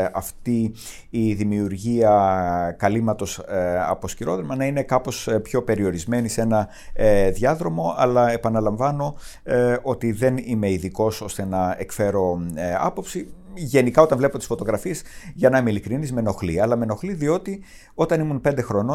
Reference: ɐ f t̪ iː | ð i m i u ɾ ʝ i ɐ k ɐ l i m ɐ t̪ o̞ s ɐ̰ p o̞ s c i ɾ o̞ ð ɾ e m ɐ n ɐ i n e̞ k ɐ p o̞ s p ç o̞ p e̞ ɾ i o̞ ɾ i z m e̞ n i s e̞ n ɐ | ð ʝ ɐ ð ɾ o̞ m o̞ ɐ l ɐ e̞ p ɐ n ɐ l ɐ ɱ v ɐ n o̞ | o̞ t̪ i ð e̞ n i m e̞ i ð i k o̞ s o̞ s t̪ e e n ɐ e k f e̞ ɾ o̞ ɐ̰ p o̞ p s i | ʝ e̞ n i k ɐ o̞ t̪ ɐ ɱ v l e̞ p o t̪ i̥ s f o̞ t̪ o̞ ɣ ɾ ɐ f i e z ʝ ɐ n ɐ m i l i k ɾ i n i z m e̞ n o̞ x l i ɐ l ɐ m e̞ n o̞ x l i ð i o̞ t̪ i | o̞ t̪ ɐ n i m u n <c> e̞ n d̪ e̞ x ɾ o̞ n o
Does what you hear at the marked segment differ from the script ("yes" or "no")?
yes